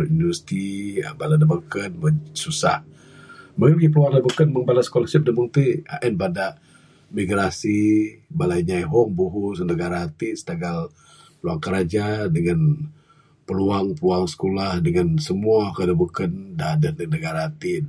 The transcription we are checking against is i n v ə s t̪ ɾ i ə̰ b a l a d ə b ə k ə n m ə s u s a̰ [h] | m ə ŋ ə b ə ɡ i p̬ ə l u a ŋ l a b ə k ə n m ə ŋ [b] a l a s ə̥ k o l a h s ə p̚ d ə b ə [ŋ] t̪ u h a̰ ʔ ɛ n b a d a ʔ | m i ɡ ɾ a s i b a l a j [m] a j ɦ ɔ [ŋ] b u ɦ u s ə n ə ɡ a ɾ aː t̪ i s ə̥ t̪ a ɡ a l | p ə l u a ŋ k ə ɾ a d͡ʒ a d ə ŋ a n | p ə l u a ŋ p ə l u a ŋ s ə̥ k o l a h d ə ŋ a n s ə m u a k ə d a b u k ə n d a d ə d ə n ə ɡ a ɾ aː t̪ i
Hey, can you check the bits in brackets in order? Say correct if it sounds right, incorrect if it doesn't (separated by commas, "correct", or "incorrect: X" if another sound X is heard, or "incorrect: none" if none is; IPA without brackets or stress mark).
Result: correct, correct, correct, incorrect: ɲ, correct